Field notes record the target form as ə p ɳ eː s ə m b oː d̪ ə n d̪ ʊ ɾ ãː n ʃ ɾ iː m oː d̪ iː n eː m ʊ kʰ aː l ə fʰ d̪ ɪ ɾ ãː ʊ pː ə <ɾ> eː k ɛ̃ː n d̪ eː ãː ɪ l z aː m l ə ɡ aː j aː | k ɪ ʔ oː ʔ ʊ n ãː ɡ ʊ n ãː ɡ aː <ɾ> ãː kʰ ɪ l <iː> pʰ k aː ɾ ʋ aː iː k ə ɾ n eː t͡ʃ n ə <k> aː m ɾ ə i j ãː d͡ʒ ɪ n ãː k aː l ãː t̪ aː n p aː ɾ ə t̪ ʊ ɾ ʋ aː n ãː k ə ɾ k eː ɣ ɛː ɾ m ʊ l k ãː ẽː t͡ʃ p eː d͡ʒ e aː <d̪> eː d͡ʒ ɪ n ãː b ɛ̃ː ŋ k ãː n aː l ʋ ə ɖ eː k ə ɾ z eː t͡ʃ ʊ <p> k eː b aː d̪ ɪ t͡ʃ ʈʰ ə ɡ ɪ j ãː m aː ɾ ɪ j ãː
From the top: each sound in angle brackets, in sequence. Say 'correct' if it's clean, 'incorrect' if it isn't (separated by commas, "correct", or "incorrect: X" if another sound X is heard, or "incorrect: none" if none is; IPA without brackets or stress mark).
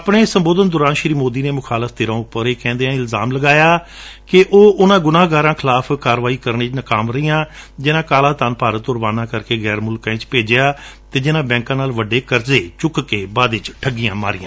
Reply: correct, correct, incorrect: aː, correct, incorrect: t̪, incorrect: k